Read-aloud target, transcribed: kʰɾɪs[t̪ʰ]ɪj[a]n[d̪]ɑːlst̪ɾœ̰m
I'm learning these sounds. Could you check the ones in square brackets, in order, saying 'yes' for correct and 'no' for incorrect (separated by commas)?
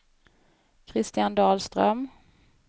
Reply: no, yes, yes